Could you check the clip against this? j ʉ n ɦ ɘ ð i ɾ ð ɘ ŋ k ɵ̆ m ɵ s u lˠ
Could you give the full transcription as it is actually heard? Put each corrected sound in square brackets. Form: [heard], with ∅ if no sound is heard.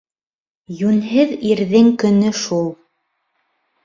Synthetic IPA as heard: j ʉ n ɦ ɘ ð i ɾ ð ɘ ŋ k ɵ̆ [n] ɵ [ʃ] u lˠ